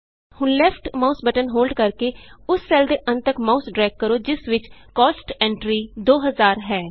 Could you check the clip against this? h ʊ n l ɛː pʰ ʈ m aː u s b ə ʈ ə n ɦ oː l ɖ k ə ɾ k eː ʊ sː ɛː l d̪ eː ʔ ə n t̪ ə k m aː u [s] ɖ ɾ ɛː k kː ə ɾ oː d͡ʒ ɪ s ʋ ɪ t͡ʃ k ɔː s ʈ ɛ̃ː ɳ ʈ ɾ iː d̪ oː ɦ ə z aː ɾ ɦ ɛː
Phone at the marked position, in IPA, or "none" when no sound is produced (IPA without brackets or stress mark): s